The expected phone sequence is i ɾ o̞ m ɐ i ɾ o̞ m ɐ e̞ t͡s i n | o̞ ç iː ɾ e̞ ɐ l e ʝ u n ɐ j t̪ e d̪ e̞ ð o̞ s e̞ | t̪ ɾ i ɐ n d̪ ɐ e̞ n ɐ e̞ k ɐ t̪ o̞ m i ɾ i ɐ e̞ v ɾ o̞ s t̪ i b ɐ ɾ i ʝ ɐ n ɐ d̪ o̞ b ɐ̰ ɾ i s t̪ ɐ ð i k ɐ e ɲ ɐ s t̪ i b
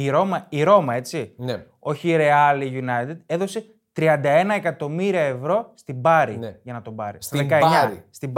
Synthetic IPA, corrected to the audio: i ɾ o̞ m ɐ i ɾ o̞ m ɐ e̞ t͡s i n | o̞ ç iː ɾ e̞ ɐ l i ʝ u n ɐ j t̪ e d̪ e̞ ð o̞ s e̞ | t̪ ɾ i ɐ n d̪ ɐ e̞ n ɐ e̞ k ɐ t̪ o̞ m i ɾ i ɐ e̞ v ɾ o̞ s t̪ i b ɐ ɾ i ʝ ɐ n ɐ t̪ o̞ b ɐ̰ ɾ i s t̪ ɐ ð e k ɐ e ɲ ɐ s t̪ i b